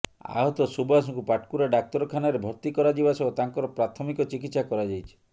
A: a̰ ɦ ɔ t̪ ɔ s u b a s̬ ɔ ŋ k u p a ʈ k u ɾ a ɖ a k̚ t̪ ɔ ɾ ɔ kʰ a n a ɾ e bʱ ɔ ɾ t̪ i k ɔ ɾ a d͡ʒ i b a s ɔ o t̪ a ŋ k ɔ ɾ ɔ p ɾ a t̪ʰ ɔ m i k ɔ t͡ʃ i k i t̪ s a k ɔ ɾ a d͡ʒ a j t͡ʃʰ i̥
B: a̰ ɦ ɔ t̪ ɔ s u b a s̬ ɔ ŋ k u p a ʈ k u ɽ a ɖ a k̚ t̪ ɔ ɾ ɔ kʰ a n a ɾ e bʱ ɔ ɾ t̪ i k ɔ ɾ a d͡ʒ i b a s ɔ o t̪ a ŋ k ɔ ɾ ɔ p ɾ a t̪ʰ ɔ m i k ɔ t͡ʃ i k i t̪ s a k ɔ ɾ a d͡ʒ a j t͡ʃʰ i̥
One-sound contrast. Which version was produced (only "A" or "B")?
A